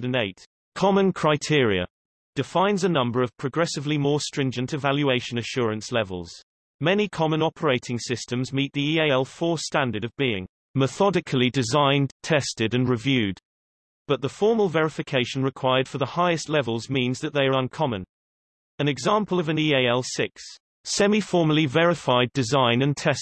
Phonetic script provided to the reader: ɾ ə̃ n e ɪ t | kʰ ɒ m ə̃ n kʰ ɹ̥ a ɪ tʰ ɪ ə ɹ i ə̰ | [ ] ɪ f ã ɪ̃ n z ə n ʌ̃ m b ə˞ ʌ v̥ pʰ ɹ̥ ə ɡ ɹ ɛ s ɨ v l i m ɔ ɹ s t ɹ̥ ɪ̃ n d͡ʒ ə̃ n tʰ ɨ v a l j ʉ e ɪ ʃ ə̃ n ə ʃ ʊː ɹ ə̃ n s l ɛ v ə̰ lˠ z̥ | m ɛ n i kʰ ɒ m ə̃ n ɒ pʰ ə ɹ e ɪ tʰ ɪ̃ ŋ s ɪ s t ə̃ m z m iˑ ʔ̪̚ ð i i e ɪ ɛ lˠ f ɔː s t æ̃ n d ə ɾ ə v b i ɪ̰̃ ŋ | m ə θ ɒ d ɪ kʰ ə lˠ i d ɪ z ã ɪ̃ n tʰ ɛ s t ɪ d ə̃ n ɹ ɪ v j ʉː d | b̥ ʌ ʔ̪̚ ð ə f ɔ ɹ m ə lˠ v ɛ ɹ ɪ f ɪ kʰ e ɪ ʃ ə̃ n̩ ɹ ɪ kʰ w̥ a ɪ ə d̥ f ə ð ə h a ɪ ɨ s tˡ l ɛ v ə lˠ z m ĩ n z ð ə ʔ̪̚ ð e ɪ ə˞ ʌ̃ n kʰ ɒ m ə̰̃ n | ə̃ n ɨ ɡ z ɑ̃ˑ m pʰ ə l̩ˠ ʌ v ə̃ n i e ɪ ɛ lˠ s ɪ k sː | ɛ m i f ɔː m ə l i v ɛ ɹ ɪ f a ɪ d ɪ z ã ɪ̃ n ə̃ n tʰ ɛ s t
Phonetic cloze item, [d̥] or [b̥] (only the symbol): d̥